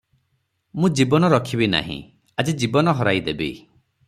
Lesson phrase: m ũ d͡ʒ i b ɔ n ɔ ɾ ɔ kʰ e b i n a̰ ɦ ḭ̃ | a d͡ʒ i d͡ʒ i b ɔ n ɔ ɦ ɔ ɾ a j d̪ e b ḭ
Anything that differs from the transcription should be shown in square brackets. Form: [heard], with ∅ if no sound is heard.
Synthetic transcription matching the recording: m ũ d͡ʒ i b ɔ n ɔ ɾ ɔ kʰ [i] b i n a̰ ɦ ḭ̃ | a d͡ʒ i d͡ʒ i b ɔ n ɔ ɦ ɔ ɾ a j d̪ e b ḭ